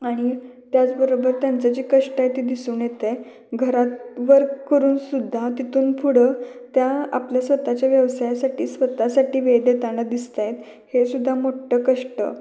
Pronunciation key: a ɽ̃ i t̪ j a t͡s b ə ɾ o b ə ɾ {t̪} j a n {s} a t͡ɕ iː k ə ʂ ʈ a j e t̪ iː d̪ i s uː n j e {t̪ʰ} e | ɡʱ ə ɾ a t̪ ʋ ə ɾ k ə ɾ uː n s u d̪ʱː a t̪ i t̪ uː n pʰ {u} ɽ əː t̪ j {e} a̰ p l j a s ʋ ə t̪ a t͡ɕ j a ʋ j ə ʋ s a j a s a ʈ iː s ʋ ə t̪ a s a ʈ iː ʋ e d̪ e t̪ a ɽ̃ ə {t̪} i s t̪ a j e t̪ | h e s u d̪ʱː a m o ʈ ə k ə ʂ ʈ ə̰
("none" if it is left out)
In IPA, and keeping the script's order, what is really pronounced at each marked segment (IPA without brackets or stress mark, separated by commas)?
t̪, t͡s, t̪, u, a, d̪